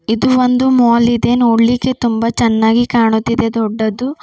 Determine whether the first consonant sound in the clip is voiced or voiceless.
voiced